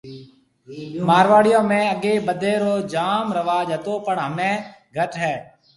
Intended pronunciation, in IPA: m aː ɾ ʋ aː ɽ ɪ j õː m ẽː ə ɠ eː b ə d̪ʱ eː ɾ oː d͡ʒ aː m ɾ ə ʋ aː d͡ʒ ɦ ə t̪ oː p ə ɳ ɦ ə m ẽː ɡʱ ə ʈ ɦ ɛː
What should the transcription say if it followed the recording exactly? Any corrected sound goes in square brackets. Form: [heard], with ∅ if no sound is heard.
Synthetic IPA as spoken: m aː ɾ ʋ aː ɽ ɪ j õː m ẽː ə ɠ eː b ə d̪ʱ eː ɾ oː d͡ʒ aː m ɾ ə ʋ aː d͡ʒ ɦ ə t̪ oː p ə ɳ ɦ ə m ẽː ɡʱ ə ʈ ɦ ɛː

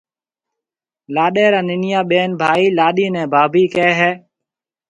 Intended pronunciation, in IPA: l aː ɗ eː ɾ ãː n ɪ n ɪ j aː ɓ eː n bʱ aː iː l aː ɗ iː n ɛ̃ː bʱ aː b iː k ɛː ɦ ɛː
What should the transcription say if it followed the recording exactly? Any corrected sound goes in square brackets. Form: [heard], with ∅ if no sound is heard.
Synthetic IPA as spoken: l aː ɗ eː ɾ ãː n ɪ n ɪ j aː ɓ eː n bʱ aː iː l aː ɗ iː n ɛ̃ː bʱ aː b iː k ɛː ɦ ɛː

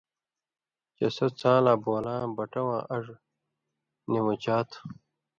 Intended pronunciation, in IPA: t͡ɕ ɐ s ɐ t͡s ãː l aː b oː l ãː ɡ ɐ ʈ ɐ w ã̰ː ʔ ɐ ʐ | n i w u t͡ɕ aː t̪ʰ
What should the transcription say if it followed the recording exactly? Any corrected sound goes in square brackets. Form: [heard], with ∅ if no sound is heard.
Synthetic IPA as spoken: t͡ɕ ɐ s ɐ t͡s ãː l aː b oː l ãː [b] ɐ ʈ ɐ w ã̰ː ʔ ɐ ʐ | n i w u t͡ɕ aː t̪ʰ

